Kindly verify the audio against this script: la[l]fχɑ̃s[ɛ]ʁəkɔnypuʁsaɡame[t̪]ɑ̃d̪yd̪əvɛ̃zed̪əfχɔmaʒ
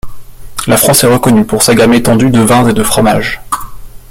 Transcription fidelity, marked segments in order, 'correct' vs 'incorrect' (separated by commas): incorrect, correct, correct